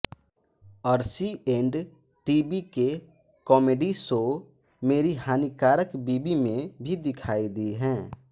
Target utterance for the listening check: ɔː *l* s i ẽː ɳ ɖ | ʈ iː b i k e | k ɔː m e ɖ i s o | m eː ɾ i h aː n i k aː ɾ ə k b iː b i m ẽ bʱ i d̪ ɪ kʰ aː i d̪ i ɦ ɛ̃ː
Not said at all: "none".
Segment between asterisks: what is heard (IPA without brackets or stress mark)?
ɾ